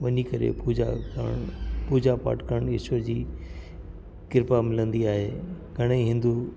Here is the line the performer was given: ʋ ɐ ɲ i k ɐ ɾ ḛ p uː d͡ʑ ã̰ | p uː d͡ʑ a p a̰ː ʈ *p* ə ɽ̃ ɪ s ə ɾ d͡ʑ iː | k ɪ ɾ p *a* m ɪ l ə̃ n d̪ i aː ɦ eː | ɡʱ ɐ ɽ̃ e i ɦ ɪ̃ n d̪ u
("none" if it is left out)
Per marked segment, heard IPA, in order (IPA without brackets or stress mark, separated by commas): k, a